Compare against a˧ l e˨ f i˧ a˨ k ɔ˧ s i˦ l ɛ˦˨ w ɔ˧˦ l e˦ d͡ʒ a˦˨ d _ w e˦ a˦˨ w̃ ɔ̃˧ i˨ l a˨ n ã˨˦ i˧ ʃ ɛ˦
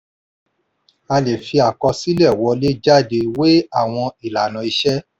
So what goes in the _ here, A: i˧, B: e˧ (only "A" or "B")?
B